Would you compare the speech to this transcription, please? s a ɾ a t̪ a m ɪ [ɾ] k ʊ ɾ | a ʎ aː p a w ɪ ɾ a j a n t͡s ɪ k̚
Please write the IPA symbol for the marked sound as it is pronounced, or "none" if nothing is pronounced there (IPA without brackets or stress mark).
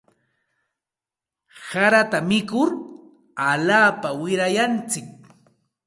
none